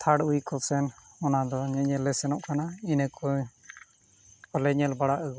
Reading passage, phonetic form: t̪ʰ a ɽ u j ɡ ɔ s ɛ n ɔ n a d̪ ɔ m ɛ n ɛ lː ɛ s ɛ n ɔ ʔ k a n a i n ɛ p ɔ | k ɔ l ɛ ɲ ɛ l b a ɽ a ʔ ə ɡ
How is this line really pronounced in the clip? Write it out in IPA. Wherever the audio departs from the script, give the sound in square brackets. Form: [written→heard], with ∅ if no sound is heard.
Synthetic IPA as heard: t̪ʰ a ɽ u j [ɡ→k] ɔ s ɛ n ɔ n a d̪ ɔ [m→ɲ] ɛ [n→ɲ] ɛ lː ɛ s ɛ n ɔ ʔ k a n a i n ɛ [p→k] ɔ | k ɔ l ɛ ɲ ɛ l b a ɽ a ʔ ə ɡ